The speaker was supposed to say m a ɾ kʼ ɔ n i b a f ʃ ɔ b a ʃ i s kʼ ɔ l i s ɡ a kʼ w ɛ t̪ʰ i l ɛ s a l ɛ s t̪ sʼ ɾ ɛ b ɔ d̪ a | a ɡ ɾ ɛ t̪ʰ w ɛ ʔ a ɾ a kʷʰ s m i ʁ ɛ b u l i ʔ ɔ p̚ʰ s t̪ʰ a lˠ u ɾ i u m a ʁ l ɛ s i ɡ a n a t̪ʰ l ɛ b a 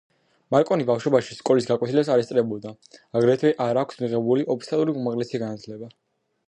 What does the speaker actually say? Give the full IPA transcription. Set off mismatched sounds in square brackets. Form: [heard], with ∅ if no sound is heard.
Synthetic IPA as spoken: m a ɾ kʼ ɔ n i b a f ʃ ɔ b a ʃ i s kʼ ɔ l i s ɡ a kʼ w ɛ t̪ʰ i l ɛ s a [ɾ] ɛ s t̪ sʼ ɾ ɛ b ɔ d̪ a | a ɡ ɾ ɛ t̪ʰ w ɛ ʔ a ɾ a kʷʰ s m i ʁ ɛ b u l i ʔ ɔ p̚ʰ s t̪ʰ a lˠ u ɾ i u m a ʁ l ɛ s i ɡ a n a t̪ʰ l ɛ b a